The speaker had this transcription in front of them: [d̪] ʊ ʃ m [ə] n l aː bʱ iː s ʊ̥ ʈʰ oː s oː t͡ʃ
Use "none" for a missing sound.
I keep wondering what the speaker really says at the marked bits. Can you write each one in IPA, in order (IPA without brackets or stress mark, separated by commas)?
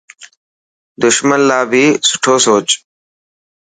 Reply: d̪, ə